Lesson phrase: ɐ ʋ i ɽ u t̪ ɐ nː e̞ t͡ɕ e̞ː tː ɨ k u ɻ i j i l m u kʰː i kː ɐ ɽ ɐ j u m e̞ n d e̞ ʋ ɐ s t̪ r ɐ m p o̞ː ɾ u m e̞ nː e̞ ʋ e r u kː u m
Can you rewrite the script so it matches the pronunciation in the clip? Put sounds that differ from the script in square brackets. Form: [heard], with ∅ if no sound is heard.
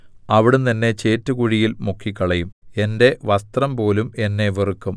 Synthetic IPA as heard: ɐ ʋ i ɽ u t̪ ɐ nː e̞ t͡ɕ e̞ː tː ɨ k u ɻ i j i l m u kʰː i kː ɐ [ɭ] ɐ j u m e̞ n d e̞ ʋ ɐ s t̪ r ɐ m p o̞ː [l] u m e̞ nː e̞ ʋ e r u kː u m